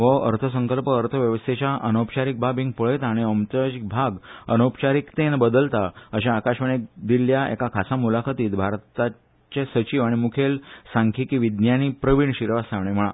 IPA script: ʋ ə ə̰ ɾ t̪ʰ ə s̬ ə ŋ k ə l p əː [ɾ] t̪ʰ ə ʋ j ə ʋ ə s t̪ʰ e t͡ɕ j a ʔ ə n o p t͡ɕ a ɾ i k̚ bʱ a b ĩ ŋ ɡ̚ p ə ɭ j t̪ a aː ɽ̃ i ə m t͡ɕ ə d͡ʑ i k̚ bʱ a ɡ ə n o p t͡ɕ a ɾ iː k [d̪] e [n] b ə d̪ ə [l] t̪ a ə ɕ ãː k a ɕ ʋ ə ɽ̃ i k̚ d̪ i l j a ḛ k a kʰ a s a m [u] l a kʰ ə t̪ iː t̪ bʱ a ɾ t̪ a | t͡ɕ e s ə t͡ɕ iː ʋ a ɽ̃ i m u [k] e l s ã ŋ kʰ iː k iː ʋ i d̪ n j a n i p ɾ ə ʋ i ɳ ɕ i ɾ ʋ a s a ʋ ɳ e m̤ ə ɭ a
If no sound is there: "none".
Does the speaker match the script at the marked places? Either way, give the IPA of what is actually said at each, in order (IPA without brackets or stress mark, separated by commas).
ɾ, t̪, n, l, u, kʰ